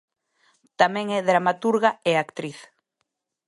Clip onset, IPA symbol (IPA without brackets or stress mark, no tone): t̪